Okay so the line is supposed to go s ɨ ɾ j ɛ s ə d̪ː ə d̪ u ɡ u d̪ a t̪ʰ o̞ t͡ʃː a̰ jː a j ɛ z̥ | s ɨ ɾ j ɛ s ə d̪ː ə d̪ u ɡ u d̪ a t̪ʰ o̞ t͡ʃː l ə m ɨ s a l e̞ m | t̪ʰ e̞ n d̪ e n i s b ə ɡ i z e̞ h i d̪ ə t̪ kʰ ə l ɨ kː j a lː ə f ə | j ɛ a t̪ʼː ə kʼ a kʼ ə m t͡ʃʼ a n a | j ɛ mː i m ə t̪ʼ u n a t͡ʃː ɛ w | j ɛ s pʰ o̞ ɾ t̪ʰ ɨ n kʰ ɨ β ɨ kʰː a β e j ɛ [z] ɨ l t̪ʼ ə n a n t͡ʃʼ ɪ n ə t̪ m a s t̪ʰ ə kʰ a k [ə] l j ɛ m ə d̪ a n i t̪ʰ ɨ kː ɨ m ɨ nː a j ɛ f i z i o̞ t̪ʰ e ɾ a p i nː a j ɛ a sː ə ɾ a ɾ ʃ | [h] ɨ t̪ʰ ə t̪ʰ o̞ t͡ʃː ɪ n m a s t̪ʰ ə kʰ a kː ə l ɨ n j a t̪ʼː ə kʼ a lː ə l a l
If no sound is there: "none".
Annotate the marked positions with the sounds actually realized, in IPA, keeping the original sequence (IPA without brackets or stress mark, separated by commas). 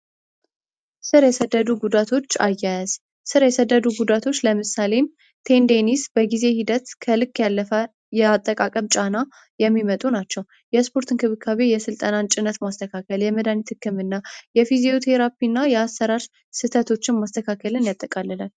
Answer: s, ə, s